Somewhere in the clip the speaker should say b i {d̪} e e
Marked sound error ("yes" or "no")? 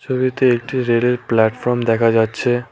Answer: yes